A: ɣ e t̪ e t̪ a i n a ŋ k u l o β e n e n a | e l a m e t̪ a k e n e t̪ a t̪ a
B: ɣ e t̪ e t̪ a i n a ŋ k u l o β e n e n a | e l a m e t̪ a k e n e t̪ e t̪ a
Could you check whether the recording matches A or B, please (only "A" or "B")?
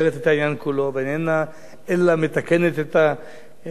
B